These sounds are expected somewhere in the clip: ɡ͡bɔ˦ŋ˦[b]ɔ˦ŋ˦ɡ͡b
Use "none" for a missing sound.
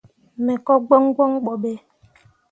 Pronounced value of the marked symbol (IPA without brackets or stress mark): ɡ